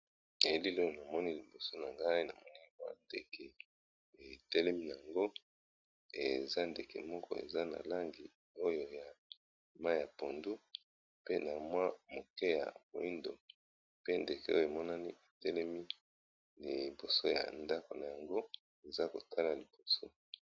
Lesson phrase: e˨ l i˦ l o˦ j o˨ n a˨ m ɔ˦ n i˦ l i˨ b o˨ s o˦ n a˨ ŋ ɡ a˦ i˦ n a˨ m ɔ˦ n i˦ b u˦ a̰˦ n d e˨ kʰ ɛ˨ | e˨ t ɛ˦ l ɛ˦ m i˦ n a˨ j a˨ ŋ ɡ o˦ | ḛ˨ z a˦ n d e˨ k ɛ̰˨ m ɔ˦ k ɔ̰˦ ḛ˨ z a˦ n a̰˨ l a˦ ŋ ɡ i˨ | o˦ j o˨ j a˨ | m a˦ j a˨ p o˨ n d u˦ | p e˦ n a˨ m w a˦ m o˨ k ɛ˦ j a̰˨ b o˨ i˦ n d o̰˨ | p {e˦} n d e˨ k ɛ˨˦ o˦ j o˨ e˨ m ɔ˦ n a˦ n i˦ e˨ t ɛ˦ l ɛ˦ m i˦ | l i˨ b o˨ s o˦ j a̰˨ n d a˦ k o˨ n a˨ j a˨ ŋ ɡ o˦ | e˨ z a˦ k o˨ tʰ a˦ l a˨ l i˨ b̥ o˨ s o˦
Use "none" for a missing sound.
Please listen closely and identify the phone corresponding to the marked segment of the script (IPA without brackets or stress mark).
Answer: e˦